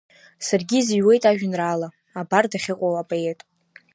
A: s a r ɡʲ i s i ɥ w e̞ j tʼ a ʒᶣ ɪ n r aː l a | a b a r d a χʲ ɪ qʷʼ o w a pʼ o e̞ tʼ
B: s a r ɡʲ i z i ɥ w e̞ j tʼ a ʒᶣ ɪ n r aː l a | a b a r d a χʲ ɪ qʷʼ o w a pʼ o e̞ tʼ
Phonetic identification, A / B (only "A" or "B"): B